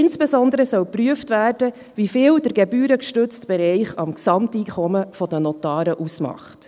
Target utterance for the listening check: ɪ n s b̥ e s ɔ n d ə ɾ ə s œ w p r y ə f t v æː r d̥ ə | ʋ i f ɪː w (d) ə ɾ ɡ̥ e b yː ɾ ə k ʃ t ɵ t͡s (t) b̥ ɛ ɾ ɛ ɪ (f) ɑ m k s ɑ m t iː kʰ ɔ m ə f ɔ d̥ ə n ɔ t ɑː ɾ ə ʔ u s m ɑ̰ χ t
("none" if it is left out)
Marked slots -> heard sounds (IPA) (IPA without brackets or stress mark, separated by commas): d, t, χ